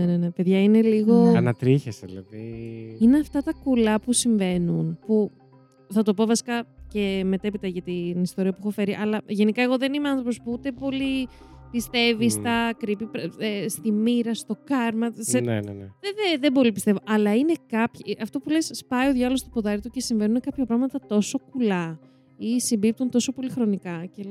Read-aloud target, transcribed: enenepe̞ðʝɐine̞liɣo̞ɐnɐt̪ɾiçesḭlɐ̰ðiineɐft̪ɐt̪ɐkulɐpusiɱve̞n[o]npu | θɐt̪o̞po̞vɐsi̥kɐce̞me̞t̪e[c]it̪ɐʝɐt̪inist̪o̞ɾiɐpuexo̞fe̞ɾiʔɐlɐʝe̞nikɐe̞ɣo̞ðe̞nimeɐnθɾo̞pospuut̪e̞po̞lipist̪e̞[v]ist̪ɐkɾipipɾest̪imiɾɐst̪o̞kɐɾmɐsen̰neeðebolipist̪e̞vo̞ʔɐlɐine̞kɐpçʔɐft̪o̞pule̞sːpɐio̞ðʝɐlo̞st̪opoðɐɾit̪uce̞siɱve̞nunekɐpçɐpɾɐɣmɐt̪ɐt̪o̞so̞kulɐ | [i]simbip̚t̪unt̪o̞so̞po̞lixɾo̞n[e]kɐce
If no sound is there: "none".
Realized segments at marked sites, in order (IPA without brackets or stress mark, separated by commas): u, p, v, i, i